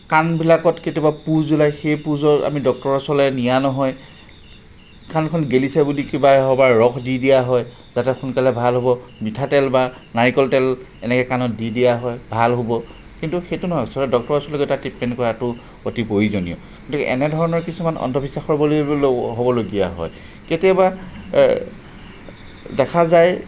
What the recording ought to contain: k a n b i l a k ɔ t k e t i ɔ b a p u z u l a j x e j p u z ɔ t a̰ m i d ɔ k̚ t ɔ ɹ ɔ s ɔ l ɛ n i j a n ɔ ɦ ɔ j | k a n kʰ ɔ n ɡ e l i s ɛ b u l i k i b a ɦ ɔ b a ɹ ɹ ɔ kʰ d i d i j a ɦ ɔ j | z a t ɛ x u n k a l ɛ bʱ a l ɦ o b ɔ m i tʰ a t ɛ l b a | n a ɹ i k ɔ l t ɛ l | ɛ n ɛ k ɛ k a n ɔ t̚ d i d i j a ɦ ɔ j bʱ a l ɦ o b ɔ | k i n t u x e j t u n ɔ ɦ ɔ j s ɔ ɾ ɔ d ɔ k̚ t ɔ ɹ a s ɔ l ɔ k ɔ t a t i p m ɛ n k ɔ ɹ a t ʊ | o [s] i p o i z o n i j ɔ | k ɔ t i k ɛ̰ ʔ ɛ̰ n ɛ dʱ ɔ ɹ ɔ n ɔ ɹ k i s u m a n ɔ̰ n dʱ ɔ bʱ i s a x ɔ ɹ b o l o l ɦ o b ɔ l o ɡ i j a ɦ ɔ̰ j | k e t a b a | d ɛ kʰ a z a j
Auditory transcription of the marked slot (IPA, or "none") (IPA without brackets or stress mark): t